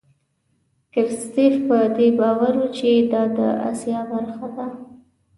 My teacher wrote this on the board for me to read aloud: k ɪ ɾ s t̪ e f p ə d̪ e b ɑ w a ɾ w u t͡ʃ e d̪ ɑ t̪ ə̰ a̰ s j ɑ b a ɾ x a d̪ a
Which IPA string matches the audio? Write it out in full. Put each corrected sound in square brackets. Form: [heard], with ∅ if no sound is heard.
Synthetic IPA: k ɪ ɾ s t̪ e f p ə d̪ e b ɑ w a ɾ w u t͡ʃ e d̪ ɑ [d̪] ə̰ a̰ s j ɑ b a ɾ x a d̪ a